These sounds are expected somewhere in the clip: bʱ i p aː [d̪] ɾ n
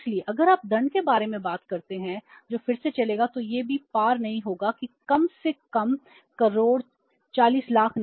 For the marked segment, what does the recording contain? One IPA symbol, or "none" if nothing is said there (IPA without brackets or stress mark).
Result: none